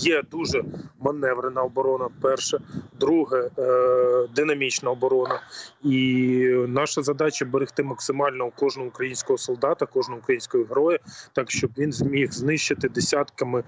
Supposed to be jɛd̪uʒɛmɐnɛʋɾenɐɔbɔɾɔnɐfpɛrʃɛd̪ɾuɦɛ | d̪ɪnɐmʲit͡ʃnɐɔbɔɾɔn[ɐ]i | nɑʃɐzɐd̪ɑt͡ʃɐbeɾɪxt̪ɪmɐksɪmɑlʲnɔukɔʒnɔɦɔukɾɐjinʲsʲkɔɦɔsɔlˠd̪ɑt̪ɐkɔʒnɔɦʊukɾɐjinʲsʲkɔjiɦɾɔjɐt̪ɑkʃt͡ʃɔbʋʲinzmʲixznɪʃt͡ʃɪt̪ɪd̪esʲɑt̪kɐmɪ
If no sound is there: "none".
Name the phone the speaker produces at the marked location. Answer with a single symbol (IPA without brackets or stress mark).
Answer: ɐ